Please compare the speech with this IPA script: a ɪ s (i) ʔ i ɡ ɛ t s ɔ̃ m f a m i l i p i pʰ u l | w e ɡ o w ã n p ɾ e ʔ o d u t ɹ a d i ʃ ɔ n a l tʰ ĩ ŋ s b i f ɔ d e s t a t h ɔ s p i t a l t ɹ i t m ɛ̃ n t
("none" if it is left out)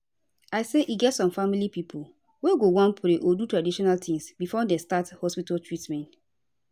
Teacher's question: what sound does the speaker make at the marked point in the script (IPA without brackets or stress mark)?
e